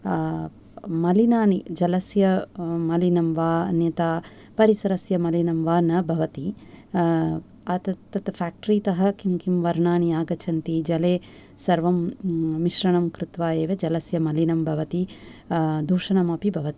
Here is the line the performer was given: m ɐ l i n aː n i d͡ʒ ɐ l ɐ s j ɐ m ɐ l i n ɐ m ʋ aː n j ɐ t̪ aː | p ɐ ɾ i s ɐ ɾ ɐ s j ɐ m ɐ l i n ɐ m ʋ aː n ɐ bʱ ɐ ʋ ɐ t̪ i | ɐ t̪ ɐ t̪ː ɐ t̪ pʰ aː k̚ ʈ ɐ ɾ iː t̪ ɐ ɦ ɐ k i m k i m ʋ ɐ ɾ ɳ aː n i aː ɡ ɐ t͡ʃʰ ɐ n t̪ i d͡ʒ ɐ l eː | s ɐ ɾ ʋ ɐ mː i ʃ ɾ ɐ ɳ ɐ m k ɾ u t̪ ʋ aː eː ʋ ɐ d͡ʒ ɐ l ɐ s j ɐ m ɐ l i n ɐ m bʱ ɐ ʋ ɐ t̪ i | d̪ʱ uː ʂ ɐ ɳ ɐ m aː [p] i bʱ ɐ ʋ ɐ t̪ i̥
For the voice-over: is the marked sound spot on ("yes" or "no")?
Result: yes